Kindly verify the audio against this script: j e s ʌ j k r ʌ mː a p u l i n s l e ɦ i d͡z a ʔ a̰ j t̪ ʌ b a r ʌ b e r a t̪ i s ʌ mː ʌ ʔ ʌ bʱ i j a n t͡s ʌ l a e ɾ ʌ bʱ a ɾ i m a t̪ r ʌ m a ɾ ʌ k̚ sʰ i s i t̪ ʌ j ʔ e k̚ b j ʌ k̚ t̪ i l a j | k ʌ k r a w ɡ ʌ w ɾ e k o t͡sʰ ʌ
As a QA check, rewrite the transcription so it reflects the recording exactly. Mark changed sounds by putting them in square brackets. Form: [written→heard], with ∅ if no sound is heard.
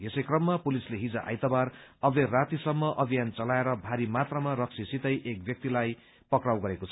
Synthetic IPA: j e s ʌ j k r ʌ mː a p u l i [n→∅] s l e ɦ i d͡z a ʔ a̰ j t̪ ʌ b a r ʌ b e r a t̪ i s ʌ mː ʌ ʔ ʌ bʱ i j a n t͡s ʌ l a e ɾ ʌ bʱ a ɾ i m a t̪ r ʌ m a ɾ ʌ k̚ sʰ i s i t̪ ʌ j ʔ e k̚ b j ʌ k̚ t̪ i l a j | [k→p] ʌ k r a w ɡ ʌ [w→∅] ɾ e k o t͡sʰ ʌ